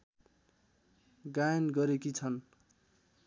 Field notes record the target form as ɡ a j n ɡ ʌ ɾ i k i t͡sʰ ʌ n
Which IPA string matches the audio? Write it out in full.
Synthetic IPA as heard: ɡ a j n ɡ ʌ ɾ e k i t͡sʰ ʌ n